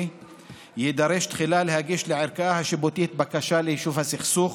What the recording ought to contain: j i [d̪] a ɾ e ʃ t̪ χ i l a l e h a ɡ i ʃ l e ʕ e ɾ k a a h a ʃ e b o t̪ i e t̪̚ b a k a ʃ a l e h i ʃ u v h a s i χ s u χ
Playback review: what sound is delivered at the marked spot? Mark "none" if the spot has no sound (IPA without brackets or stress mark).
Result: d̪